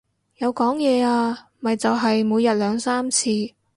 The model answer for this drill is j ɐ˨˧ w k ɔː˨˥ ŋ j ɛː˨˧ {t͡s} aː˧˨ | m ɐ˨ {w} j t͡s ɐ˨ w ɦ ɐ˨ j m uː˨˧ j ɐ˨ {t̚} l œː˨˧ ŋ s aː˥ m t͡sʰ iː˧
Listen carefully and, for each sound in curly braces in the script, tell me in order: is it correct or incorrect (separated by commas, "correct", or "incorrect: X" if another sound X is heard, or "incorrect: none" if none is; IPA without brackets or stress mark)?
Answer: incorrect: none, incorrect: none, correct